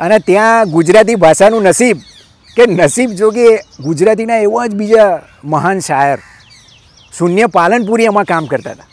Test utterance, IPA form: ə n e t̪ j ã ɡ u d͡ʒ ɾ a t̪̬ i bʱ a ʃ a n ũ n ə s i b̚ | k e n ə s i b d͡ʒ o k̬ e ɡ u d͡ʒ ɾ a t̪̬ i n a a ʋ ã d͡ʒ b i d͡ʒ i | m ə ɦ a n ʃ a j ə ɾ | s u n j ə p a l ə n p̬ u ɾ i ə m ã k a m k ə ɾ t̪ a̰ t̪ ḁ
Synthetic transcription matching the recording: ə n e t̪ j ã ɡ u d͡ʒ ɾ a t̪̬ i bʱ a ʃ a n ũ n ə s i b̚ | k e n ə s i b d͡ʒ o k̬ e ɡ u d͡ʒ ɾ a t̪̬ i n a e ʋ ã d͡ʒ b i d͡ʒ a | m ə ɦ a n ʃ a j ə ɾ | s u n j ə p a l ə n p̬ u ɾ i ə m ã k a m k ə ɾ t̪ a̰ t̪ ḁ